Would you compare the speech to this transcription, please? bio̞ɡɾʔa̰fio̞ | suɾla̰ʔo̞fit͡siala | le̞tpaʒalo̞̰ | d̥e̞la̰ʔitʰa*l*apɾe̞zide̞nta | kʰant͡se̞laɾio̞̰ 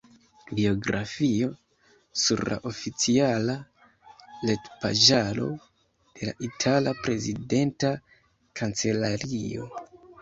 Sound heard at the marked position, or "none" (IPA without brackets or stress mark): l